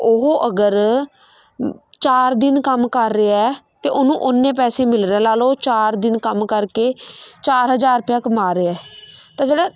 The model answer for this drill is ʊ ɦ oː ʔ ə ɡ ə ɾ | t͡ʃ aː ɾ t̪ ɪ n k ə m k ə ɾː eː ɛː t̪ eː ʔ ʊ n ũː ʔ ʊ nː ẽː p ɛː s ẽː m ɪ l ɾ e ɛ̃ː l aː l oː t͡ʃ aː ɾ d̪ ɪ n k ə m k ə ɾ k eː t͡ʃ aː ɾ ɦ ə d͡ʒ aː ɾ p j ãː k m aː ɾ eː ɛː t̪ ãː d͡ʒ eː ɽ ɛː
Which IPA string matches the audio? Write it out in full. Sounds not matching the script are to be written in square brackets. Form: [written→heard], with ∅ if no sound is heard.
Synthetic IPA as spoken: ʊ ɦ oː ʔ ə ɡ ə ɾ | t͡ʃ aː ɾ [t̪→d̪] ɪ n k ə m k ə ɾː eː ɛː t̪ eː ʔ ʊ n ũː ʔ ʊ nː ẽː p ɛː s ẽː m ɪ l ɾ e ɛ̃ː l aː l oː t͡ʃ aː ɾ d̪ ɪ n k ə m k ə ɾ k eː t͡ʃ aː ɾ ɦ ə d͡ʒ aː ɾ p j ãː k m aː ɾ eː ɛː t̪ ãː d͡ʒ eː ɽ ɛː